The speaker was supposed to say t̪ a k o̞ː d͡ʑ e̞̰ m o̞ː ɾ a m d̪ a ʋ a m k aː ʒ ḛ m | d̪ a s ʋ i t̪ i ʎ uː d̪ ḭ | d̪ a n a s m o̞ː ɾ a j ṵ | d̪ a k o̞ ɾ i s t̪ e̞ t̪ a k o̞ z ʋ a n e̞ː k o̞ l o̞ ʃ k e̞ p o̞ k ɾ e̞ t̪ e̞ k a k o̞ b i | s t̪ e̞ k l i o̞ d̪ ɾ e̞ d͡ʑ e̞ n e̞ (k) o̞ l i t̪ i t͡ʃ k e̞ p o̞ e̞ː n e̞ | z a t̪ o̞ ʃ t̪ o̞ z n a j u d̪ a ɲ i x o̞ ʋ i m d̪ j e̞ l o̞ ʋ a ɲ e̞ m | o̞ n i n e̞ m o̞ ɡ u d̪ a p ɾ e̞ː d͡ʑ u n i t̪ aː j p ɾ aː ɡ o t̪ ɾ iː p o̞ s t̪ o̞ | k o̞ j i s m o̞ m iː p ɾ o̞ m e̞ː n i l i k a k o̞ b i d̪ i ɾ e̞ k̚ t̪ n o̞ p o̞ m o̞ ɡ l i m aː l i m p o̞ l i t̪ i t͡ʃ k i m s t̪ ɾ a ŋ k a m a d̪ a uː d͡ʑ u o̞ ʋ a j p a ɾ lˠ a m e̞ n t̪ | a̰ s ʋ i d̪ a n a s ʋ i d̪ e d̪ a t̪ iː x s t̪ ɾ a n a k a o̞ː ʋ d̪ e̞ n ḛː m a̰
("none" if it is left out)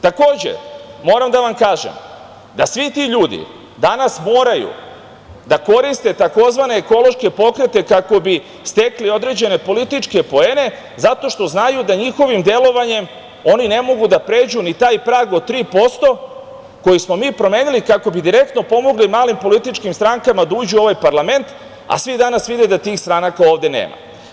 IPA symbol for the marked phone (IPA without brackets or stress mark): p